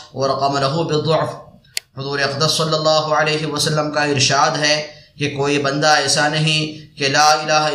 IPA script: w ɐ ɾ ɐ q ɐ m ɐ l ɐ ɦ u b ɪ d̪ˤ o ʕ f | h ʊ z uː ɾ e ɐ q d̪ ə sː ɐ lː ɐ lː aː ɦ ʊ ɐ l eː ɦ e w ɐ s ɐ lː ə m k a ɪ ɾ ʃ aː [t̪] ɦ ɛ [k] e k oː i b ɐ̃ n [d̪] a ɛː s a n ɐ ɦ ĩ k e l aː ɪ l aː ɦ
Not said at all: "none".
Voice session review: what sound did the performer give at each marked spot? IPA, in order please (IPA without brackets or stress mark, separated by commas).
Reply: d̪, k, d̪